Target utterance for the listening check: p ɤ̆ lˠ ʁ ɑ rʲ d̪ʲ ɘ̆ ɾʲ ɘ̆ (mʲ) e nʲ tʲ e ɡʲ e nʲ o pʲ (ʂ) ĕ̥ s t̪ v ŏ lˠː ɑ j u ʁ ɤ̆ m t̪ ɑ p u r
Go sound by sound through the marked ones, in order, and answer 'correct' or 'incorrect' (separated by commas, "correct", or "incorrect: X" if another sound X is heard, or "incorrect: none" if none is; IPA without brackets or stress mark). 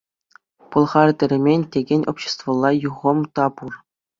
correct, incorrect: ɕ